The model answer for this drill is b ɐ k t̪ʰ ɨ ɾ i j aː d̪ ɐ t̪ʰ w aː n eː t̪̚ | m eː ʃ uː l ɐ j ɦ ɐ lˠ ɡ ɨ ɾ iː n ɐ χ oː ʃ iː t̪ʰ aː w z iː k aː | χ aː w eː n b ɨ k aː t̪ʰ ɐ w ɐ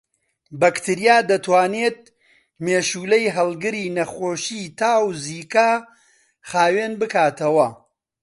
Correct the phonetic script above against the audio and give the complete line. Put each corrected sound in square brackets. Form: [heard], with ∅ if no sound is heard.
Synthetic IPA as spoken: b ɐ k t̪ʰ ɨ ɾ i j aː d̪ ɐ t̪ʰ w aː n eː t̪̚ | m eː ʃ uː l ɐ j ɦ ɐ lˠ ɡ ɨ ɾ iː n ɐ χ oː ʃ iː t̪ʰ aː w z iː k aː | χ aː w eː n b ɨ k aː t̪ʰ ɐ w ɐ